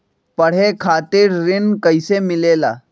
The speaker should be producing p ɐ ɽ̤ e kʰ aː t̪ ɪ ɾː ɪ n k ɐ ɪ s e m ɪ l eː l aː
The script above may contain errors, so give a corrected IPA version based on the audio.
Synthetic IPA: p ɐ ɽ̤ e kʰ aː t̪ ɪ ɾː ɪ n k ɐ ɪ s e m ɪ l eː l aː

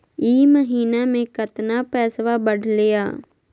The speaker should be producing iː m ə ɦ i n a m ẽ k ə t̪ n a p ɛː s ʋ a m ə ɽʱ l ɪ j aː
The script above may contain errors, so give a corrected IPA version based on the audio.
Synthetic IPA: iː m ə ɦ iː n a m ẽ k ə t̪ n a p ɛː s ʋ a b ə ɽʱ l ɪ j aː

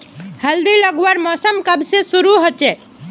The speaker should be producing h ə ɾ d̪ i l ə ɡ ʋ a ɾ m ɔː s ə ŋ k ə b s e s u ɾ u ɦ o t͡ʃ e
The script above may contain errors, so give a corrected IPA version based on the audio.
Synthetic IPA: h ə l d̪ i l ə ɡ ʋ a ɾ m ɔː s ə m k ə b s e s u ɾ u ɦ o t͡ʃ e

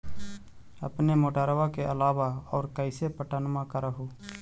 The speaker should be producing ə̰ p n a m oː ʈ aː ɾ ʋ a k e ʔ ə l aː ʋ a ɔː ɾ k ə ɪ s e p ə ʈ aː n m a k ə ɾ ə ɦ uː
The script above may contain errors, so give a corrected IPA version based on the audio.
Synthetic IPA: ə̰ p n e m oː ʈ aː ɾ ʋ a k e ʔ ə l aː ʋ a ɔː ɾ k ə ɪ s e p ə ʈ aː n m a k ə ɾ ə ɦ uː

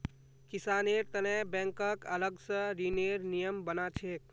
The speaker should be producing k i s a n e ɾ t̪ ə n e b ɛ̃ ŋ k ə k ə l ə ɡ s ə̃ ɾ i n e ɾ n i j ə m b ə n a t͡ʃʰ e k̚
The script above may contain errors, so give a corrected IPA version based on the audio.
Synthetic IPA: k i s a n e ɾ t̪ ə n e b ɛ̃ ŋ k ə k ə l ə ɡ s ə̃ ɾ i n e ɾ n i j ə m b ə n a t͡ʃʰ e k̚

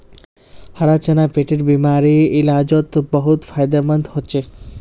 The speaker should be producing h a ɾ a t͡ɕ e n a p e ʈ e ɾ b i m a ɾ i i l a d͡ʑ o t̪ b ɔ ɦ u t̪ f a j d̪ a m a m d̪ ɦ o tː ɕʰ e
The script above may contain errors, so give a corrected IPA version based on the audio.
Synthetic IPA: h a ɾ a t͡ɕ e n a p e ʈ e ɾ b i m a ɾ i i l a d͡ʑ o t̪ b ɔ ɦ u t̪ f a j d̪ a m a n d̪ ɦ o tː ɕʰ e

